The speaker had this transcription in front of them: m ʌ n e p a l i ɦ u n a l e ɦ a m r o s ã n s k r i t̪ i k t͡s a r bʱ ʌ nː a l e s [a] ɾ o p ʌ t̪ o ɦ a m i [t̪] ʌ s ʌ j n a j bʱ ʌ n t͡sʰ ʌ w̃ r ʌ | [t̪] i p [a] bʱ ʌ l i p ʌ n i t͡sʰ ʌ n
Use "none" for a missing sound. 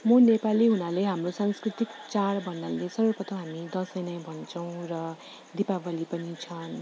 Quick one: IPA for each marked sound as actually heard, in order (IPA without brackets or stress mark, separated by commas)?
ʌ, d̪, d̪, a